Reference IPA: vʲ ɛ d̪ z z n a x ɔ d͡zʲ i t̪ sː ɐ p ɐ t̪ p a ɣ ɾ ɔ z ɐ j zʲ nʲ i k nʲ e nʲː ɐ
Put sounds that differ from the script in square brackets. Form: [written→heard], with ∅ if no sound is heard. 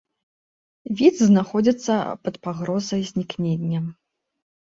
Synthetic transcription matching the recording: vʲ [ɛ→i] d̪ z z n a x ɔ d͡zʲ i t̪ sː ɐ p ɐ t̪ p a ɣ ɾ ɔ z ɐ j zʲ nʲ i k nʲ e nʲː ɐ

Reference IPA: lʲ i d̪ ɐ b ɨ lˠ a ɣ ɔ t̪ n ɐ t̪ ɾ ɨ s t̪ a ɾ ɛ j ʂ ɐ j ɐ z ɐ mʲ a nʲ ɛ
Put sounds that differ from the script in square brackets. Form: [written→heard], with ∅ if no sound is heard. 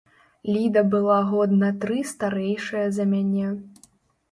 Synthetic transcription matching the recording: lʲ i d̪ ɐ b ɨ lˠ a ɣ ɔ [t̪→d̪] n ɐ t̪ ɾ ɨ s t̪ a ɾ ɛ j ʂ ɐ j ɐ z ɐ mʲ a nʲ ɛ

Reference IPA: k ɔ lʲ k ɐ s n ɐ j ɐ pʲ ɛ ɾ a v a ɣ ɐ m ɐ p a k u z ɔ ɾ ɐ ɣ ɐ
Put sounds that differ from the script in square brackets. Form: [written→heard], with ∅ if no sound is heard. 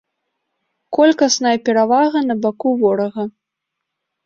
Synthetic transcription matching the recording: k ɔ lʲ k ɐ s n ɐ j ɐ pʲ ɛ ɾ a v a ɣ ɐ [m→n] ɐ [p→b] a k u [z→v] ɔ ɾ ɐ ɣ ɐ

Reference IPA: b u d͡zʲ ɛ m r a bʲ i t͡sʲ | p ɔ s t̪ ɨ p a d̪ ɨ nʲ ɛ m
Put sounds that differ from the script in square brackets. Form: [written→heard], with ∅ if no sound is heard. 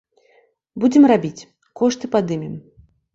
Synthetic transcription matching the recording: b u d͡zʲ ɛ m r a bʲ i t͡sʲ | [p→k] ɔ [s→ʂ] t̪ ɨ p a d̪ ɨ [nʲ→mʲ] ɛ m

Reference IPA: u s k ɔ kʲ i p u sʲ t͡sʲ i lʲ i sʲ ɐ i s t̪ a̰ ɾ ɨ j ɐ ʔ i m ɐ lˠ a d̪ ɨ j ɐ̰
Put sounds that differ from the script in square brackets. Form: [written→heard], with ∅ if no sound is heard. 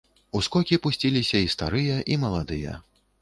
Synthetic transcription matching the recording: u s k ɔ kʲ i p u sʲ t͡sʲ i lʲ i sʲ ɐ i s t̪ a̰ ɾ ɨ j ɐ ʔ i m ɐ lˠ a d̪ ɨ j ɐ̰

